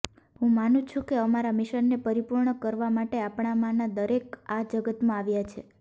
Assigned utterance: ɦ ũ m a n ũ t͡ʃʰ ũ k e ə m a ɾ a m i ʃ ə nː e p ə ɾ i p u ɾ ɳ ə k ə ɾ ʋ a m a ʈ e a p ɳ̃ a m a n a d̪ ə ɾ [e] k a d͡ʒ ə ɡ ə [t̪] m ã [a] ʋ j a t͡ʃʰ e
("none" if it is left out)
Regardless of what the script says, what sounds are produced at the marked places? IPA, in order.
e, t̪, a

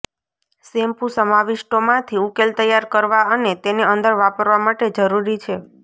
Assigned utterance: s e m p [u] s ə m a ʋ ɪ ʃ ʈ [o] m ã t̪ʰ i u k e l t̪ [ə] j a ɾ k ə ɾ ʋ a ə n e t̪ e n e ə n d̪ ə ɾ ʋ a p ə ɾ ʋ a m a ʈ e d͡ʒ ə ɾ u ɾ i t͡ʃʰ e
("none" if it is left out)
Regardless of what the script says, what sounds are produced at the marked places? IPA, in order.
u, o, ə

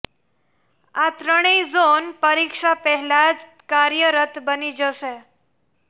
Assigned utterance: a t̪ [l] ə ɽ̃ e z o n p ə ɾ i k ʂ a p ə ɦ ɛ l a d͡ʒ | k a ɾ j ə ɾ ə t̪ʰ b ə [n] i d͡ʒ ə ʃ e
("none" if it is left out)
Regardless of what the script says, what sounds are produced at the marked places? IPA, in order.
ɾ, n

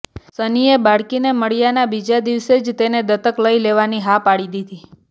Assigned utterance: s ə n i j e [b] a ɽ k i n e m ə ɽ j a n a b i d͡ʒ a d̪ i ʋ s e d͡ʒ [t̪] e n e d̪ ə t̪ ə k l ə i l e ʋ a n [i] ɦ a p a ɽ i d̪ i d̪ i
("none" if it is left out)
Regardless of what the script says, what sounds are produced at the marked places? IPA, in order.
b, t̪, i

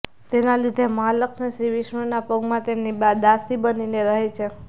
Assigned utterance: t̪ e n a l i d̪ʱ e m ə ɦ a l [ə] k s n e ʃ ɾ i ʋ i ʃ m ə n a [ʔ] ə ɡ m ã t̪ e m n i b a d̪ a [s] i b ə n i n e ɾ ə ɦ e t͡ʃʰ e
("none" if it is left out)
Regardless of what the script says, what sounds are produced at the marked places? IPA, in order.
ə, p, s

